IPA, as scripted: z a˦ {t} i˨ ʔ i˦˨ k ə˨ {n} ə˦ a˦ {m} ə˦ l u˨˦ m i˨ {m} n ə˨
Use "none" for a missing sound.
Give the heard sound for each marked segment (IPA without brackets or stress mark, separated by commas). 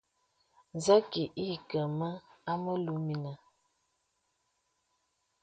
k, m, m, none